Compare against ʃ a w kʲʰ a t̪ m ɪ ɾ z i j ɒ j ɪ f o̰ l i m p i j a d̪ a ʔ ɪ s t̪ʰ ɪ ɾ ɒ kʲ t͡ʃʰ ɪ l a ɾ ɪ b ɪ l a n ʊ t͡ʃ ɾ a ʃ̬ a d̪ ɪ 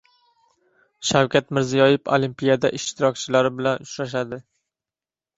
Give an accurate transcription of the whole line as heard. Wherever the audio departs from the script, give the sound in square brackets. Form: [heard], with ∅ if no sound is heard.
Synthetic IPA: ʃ a w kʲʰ a t̪ m ɪ ɾ z i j ɒ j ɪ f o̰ l i m p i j a d̪ a ʔ ɪ [ʃ] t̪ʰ ɪ ɾ ɒ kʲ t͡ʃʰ ɪ l a ɾ ɪ b ɪ l a n ʊ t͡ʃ ɾ a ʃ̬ a d̪ ɪ